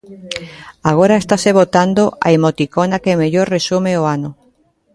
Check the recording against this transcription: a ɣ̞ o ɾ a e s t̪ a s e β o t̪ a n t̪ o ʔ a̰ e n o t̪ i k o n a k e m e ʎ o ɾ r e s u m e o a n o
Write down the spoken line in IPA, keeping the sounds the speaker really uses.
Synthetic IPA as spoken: a ɣ̞ o ɾ a e s t̪ a s e β o t̪ a n d̪ o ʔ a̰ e m o t̪ i k o n a k e m e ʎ o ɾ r e s u m e o a n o